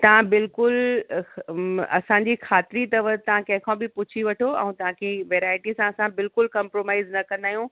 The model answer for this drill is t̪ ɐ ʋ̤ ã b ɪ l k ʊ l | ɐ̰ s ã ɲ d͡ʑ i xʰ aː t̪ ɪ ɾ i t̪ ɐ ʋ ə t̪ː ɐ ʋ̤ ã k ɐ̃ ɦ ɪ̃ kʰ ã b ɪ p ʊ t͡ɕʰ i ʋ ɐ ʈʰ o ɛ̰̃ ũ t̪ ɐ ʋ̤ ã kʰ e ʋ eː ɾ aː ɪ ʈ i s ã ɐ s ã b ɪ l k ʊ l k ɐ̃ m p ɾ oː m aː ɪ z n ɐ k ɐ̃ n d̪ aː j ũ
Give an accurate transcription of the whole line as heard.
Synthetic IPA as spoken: t̪ ɐ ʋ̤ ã b ɪ l k ʊ l | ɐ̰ s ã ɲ d͡ʑ i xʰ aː t̪ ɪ ɾ i t̪ ɐ ʋ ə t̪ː ɐ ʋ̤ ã k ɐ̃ ɦ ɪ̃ kʰ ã b ɪ p ʊ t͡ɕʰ i ʋ ɐ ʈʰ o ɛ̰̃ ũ t̪ ɐ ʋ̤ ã kʰ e ʋ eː ɾ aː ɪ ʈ i s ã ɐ s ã b ɪ l k ʊ l k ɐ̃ m p ɾ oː m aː ɪ z n ɐ k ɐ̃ n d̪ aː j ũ